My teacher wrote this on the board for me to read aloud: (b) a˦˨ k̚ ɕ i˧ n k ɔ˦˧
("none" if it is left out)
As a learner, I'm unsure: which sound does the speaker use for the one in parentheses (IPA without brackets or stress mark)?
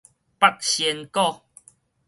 p